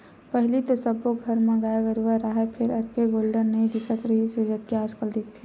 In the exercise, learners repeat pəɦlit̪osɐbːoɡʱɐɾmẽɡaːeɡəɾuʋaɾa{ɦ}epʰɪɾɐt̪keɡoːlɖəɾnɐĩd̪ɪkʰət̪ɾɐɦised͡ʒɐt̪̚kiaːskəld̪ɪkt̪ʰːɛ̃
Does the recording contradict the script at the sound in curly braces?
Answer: no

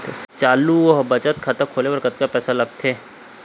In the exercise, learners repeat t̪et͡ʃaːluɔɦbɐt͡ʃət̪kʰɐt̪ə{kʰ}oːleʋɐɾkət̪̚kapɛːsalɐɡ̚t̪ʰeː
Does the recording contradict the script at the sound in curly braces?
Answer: no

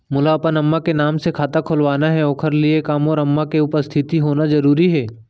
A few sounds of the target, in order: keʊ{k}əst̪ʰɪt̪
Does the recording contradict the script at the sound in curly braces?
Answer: yes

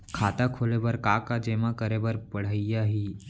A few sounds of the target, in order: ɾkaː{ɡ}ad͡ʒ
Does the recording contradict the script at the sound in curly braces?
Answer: yes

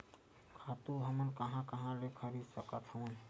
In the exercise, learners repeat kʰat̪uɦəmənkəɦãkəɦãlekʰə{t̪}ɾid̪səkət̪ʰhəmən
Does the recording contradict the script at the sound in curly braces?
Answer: yes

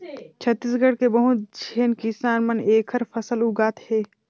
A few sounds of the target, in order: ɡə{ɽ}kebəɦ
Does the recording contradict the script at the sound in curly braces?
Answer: no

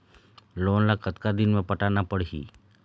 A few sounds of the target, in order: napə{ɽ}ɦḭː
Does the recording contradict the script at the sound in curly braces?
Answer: no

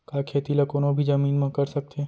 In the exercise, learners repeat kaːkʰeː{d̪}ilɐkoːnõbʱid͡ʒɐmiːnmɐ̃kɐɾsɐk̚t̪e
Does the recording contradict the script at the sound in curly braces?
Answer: yes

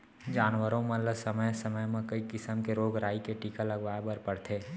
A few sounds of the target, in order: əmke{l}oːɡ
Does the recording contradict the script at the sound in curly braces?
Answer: yes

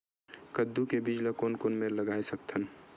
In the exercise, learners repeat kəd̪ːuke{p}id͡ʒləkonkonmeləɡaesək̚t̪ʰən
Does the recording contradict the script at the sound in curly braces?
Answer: yes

